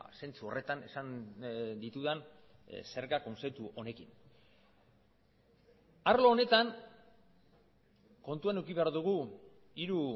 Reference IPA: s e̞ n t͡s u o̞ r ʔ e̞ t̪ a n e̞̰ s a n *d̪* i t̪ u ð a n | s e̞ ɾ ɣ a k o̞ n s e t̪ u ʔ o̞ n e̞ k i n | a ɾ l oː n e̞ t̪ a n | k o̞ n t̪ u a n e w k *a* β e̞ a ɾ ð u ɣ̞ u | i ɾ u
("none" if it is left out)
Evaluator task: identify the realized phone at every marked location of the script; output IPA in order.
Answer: d̪, i

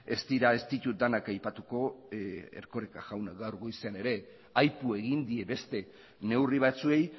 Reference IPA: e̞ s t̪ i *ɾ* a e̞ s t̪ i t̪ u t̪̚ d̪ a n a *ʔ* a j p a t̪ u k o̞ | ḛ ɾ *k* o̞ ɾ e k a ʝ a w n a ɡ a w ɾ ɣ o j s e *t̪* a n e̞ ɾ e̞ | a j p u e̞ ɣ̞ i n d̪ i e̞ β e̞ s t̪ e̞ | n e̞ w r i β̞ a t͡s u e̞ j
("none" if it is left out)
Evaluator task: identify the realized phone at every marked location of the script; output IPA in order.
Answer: ɾ, k, k, none

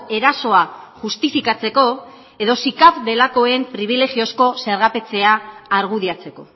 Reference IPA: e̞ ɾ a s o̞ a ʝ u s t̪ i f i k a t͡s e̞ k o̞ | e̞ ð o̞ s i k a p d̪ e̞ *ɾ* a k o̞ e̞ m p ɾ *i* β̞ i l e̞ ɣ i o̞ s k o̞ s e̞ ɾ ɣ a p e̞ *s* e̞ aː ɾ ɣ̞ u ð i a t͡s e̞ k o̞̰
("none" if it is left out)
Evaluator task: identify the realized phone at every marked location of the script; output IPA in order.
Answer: l, i, t͡s

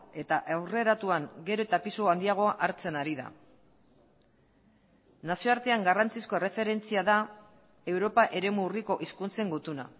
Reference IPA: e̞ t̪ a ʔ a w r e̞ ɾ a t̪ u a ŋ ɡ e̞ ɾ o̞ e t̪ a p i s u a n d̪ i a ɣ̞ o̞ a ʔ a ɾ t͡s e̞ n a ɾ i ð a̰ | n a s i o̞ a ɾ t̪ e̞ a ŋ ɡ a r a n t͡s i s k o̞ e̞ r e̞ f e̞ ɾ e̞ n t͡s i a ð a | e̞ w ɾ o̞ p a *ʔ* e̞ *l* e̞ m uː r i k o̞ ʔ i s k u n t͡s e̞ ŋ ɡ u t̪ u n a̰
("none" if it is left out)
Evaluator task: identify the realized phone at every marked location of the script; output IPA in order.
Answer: ʔ, ɾ

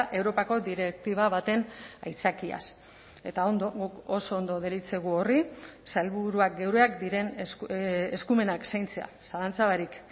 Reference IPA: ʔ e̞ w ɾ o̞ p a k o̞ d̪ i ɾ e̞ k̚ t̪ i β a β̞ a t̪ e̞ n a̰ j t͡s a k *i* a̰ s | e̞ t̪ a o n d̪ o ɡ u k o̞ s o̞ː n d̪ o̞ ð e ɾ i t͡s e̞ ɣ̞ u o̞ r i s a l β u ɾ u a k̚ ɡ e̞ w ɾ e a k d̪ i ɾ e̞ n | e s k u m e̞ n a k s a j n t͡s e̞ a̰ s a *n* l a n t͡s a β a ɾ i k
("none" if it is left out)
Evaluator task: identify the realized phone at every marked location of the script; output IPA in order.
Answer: i, none

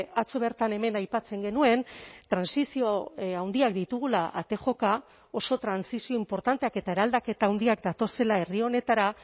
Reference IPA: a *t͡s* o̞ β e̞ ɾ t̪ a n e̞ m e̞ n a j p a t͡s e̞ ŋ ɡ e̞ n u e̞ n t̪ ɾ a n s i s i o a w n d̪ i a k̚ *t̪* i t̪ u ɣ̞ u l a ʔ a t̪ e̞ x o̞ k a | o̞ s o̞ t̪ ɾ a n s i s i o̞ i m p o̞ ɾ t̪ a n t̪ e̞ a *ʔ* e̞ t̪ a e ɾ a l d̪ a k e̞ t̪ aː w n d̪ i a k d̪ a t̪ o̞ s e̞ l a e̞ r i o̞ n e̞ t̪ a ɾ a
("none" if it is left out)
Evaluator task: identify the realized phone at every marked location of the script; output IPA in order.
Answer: t͡s, d̪, k

